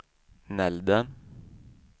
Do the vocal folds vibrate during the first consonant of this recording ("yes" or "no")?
yes